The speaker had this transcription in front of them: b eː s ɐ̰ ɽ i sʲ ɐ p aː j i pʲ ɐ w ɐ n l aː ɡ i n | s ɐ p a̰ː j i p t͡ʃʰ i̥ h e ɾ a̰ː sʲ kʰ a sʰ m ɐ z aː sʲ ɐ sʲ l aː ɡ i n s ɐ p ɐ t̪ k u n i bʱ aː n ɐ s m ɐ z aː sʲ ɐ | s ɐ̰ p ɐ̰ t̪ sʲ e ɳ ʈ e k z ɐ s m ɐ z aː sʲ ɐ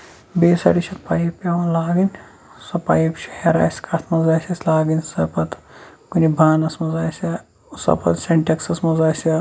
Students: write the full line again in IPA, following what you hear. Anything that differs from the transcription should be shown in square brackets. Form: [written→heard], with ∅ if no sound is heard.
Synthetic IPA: b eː s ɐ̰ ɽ i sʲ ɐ p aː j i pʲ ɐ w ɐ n l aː ɡ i n | s ɐ p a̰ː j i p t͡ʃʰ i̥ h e ɾ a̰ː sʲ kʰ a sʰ m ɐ z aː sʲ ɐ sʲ l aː ɡ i n s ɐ p ɐ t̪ k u n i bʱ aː n ɐ s m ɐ z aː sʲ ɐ | s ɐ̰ p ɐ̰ t̪ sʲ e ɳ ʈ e k [z→s] ɐ s m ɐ z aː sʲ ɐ